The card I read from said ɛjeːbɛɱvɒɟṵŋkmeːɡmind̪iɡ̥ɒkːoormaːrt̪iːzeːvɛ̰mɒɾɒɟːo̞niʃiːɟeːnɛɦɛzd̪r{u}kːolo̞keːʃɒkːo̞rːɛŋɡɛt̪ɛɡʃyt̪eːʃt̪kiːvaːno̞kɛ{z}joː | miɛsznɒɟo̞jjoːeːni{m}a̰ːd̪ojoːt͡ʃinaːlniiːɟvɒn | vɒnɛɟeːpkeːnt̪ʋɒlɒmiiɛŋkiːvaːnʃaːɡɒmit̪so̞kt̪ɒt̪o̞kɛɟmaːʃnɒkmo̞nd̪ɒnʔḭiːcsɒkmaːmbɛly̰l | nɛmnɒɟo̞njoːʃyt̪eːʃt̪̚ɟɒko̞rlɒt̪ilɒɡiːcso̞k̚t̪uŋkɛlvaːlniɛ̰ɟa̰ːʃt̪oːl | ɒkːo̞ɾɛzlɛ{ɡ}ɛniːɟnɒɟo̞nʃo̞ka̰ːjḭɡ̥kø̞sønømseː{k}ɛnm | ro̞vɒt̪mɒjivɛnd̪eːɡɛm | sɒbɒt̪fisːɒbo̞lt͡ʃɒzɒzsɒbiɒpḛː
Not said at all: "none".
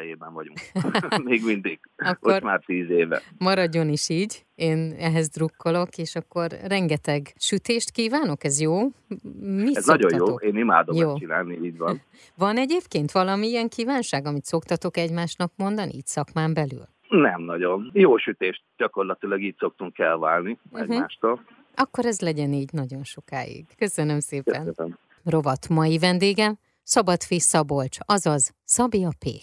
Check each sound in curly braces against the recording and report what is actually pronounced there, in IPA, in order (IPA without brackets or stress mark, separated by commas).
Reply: u, z, m, ɟ, p